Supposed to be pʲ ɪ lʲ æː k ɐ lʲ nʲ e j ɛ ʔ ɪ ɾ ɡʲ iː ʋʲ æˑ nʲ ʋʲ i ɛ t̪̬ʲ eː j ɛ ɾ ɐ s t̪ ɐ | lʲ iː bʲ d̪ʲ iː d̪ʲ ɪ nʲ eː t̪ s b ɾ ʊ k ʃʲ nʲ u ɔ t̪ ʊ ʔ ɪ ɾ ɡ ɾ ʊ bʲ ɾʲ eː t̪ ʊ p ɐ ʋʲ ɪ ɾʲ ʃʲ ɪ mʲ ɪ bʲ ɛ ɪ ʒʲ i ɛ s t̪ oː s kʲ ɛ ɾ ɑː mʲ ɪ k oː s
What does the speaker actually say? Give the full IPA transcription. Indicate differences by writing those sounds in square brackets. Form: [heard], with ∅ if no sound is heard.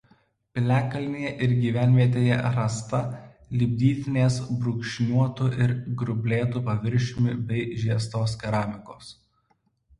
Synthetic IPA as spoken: pʲ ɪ lʲ æː k ɐ lʲ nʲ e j ɛ ʔ ɪ ɾ ɡʲ iː ʋʲ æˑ nʲ ʋʲ i ɛ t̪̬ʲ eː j ɛ ɾ ɐ s t̪ ɐ | lʲ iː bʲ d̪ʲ iː [t̪ʲ] ɪ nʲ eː [∅] s b ɾ ʊ k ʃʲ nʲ u ɔ t̪ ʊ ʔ ɪ ɾ ɡ ɾ ʊ bʲ [lʲ] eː t̪ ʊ p ɐ ʋʲ ɪ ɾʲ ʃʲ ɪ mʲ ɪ bʲ ɛ ɪ ʒʲ i ɛ s t̪ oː s kʲ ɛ ɾ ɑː mʲ ɪ k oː s